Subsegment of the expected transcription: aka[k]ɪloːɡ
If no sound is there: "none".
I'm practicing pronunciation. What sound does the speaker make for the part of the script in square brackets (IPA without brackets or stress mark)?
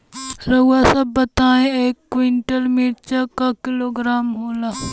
k